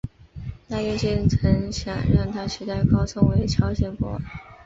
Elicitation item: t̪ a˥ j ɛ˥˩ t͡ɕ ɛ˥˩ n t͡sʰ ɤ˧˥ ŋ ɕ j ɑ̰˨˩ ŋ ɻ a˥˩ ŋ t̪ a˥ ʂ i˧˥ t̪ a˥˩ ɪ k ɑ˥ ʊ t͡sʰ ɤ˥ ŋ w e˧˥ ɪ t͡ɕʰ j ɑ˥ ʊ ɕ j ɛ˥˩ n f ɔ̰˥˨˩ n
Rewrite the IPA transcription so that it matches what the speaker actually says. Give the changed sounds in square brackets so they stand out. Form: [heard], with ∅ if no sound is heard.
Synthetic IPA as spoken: t̪ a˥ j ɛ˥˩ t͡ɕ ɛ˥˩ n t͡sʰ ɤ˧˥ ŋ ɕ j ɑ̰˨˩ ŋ ɻ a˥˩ ŋ [t̪ʰ] a˥ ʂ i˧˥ t̪ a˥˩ ɪ k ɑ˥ ʊ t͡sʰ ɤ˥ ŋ w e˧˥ ɪ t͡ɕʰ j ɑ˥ ʊ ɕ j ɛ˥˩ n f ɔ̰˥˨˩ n